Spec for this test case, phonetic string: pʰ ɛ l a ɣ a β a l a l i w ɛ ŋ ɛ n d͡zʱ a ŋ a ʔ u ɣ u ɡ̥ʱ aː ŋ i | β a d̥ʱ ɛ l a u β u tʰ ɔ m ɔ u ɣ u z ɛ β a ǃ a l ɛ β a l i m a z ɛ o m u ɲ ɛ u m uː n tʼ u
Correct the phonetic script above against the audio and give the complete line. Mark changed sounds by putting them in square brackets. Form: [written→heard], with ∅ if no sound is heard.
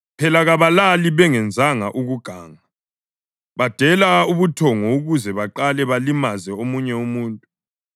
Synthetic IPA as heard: pʰ ɛ l a ɣ a β a l a l i [w→β] ɛ ŋ ɛ n d͡zʱ a ŋ a ʔ u ɣ u ɡ̥ʱ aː ŋ [i→a] | β a d̥ʱ ɛ l a u β u tʰ ɔ [m→ŋ] ɔ u ɣ u z ɛ β a ǃ a l ɛ β a l i m a z ɛ o m u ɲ ɛ u m uː n tʼ u